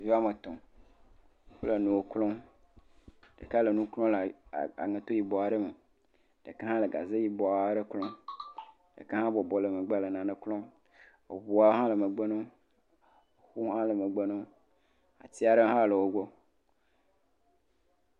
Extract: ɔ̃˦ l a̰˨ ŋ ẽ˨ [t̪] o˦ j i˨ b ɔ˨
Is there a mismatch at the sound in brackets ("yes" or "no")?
no